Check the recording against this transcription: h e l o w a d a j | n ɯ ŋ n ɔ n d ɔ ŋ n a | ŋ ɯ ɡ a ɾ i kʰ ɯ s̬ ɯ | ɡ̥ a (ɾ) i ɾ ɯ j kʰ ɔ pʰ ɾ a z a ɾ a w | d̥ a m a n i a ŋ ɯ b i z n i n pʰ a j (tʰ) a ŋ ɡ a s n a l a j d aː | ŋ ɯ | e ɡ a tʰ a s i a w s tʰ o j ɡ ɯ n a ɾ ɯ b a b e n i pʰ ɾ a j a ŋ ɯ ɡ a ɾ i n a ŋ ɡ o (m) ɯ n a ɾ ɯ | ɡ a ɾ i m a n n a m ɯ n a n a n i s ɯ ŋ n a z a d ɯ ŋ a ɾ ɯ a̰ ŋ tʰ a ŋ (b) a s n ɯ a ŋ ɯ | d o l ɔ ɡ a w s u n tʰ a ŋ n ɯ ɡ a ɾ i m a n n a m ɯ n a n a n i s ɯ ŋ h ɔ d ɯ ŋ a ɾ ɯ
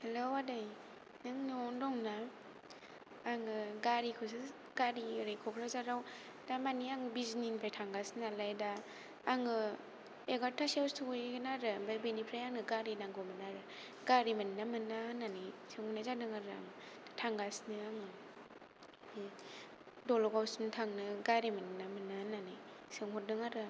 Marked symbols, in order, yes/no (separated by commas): yes, yes, yes, no